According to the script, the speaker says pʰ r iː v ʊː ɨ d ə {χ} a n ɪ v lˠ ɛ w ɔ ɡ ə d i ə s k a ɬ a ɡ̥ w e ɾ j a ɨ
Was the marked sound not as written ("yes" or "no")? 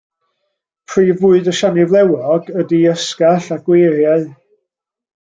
yes